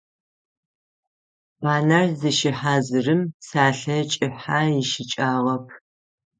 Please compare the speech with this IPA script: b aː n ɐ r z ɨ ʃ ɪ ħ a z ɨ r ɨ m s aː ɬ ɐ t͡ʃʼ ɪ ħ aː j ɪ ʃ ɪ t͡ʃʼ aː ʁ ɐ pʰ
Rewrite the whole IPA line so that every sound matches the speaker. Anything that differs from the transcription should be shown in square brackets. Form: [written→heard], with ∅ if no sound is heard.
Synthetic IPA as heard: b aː n ɐ r z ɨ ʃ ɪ ħ a z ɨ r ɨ m s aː ɬ ɐ t͡ʃʼ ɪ ħ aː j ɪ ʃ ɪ t͡ʃʼ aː ʁ ɐ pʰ